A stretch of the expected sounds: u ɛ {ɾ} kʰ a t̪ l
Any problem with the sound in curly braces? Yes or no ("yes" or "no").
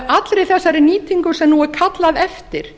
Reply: no